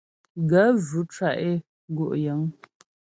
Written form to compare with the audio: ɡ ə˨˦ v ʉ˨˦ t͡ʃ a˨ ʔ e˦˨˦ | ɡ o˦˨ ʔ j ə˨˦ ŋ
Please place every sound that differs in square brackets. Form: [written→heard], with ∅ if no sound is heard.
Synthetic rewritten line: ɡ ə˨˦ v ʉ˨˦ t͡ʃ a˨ ʔ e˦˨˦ | ɡ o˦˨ ʔ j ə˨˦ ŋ